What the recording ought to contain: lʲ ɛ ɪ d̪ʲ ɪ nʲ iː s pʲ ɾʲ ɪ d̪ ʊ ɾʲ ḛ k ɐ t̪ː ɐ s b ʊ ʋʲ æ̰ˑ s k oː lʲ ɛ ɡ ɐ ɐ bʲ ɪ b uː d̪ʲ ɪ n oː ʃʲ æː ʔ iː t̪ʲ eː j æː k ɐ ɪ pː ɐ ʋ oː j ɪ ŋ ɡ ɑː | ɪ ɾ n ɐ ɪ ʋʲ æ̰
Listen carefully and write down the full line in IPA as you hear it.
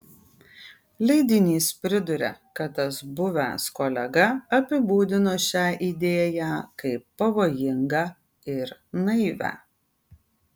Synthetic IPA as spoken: lʲ ɛ ɪ d̪ʲ ɪ nʲ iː s pʲ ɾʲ ɪ d̪ ʊ ɾʲ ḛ k ɐ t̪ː ɐ s b ʊ ʋʲ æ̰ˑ s k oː lʲ ɛ ɡ ɐ ɐ pʲ ɪ b uː d̪ʲ ɪ n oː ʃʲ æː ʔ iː d̪ʲ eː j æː k ɐ ɪ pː ɐ ʋ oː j ɪ ŋ ɡ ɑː | ɪ ɾ n ɐ ɪ ʋʲ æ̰

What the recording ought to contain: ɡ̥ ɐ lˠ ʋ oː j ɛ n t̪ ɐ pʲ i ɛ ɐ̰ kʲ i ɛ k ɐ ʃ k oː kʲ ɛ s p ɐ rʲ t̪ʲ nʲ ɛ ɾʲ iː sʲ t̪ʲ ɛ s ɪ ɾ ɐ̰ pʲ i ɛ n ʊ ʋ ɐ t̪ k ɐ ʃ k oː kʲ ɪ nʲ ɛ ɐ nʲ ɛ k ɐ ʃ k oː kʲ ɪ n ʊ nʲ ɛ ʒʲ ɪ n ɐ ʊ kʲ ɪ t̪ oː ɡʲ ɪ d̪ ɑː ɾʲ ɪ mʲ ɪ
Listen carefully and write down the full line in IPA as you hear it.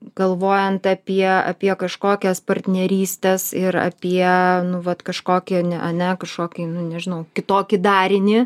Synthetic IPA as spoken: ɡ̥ ɐ lˠ ʋ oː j ɛ n t̪ ɐ pʲ i ɛ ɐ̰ pʲ i ɛ k ɐ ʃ k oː kʲ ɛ s p ɐ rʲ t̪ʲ nʲ ɛ ɾʲ iː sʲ t̪ʲ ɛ s ɪ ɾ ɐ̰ pʲ i ɛ n ʊ ʋ ɐ t̪ k ɐ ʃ k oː kʲ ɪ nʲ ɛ ɐ nʲ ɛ k ɐ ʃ k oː kʲ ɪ n ʊ nʲ ɛ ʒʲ ɪ n ɐ ʊ kʲ ɪ t̪ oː kʲ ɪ d̪ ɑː ɾʲ ɪ nʲ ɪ

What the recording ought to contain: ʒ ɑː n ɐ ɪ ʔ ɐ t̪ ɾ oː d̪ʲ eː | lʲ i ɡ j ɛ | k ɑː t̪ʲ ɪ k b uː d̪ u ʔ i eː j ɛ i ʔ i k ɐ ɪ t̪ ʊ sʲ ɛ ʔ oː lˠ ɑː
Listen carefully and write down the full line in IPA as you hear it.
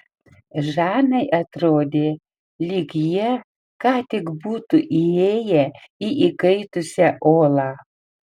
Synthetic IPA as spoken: ʒ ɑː n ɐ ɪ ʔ ɐ t̪ ɾ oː d̪ʲ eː | lʲ i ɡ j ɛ | k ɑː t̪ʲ ɪ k b uː t̪ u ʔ i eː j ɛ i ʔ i k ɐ ɪ t̪ ʊ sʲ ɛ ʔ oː lˠ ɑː

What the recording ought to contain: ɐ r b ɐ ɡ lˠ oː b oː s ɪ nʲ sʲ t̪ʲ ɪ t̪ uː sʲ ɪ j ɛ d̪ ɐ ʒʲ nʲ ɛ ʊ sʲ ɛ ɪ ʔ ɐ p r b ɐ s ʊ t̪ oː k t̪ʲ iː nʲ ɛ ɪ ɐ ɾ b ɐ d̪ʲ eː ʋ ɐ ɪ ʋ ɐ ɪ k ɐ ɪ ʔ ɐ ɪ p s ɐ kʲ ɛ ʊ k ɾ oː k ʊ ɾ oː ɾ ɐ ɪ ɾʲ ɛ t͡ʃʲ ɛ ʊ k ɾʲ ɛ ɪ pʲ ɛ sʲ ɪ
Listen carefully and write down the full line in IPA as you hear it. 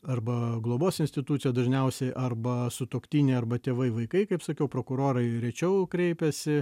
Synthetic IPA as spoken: ɐ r b ɐ ɡ lˠ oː b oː s ɪ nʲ sʲ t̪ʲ ɪ t̪ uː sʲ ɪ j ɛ d̪ ɐ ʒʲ nʲ ɛ ʊ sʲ ɛ ɪ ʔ ɐ r b ɐ s ʊ t̪ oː k t̪ʲ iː nʲ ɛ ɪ ɐ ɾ b ɐ t̪ʲ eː ʋ ɐ ɪ ʋ ɐ ɪ k ɐ ɪ k ɐ ɪ p s ɐ kʲ ɛ ʊ p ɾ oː k ʊ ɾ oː ɾ ɐ ɪ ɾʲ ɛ t͡ʃʲ ɛ ʊ k ɾʲ ɛ ɪ pʲ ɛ sʲ ɪ

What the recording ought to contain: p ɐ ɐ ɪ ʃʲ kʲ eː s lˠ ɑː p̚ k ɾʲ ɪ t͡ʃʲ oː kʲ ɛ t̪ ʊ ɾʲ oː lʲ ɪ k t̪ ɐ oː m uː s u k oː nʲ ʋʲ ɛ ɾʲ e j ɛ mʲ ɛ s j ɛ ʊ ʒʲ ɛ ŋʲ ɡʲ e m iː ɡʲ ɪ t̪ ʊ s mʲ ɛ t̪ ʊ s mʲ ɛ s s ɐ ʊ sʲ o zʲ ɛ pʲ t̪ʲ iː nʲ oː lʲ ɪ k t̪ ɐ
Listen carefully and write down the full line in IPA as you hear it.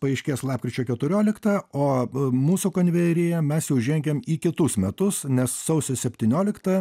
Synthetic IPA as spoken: p ɐ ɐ ɪ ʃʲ kʲ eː s lˠ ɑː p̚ k ɾʲ ɪ t͡ʃʲ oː kʲ ɛ t̪ ʊ ɾʲ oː lʲ ɪ k t̪ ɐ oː m uː s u k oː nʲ ʋʲ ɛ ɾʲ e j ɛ mʲ ɛ s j ɛ ʊ ʒʲ ɛ ŋʲ ɡʲ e m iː kʲ ɪ t̪ ʊ s mʲ ɛ t̪ ʊ s nʲ ɛ s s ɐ ʊ sʲ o sʲ ɛ pʲ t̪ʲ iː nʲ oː lʲ ɪ k t̪ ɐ

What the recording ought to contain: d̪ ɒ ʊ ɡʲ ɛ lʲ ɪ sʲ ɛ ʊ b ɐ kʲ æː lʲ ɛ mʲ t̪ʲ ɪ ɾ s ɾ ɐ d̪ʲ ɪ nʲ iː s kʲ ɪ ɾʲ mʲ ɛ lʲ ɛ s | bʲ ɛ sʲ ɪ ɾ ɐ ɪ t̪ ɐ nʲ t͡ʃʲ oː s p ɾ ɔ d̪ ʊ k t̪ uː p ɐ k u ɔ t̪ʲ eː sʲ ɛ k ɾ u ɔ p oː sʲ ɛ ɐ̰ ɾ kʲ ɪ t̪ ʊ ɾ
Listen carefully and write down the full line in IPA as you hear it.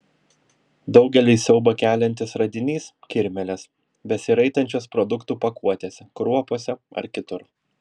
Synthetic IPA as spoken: d̪ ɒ ʊ ɡʲ ɛ lʲ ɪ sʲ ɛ ʊ b ɐ kʲ æː lʲ ɛ nʲ t̪ʲ ɪ s ɾ ɐ d̪ʲ ɪ nʲ iː s kʲ ɪ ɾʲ mʲ ɛ lʲ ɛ s | bʲ ɛ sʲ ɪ ɾ ɐ ɪ t̪ ɐ nʲ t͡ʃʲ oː s p ɾ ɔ d̪ ʊ k t̪ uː p ɐ k u ɔ t̪ʲ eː sʲ ɛ k ɾ u ɔ p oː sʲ ɛ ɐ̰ ɾ kʲ ɪ t̪ ʊ ɾ

